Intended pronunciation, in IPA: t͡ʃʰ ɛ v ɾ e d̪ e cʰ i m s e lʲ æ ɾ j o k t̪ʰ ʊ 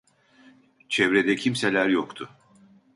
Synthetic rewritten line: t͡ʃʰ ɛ v ɾ e d̪ ɛ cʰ i m s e lʲ æ ɾ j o k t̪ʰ ʊ

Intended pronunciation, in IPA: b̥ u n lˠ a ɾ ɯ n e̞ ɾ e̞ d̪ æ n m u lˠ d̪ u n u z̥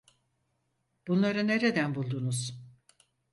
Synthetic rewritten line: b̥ u n lˠ a ɾ ɯ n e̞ ɾ e̞ d̪ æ n b u lˠ d̪ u n u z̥

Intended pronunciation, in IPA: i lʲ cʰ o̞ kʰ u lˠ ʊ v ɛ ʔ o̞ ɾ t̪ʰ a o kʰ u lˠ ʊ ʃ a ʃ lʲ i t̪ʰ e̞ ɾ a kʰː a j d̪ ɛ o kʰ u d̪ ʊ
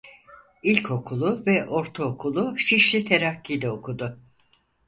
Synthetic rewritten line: i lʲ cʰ o̞ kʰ u lˠ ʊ v ɛ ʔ o̞ ɾ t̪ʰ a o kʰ u lˠ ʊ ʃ i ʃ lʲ i t̪ʰ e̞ ɾ a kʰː i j d̪ ɛ o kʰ u d̪ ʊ

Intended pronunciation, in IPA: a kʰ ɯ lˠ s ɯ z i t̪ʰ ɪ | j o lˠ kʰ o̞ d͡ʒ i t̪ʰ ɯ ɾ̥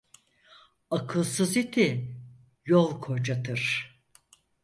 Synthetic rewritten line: a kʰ ɯ lˠ s ɯ z i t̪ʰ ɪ | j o lˠ kʰ o̞ d͡ʒ a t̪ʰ ɯ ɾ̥

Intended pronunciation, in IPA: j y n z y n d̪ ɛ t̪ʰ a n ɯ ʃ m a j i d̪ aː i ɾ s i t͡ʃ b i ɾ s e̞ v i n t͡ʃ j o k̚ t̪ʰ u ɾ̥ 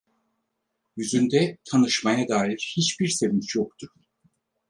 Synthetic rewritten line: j y z y n d̪ ɛ t̪ʰ a n ɯ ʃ m a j a d̪ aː i ɾ h i t͡ʃ b i ɾ s e̞ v i n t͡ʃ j o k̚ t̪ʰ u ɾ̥

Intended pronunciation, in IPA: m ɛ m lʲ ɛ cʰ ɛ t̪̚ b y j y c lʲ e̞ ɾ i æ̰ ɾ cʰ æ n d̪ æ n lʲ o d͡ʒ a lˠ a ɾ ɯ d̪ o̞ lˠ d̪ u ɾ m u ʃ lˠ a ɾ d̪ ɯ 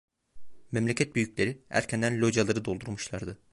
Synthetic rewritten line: m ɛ m lʲ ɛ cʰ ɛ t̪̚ b y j y c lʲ e̞ ɾ i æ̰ ɾ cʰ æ n d̪ æ n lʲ o d͡ʒ a lˠ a ɾ ɯ d̪ o̞ lˠ d̪ u ɾ m u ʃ lˠ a ɾ d̪ ɯ

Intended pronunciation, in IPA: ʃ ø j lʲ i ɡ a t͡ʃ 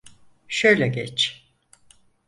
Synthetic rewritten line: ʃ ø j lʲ ɛ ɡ ɛ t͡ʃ

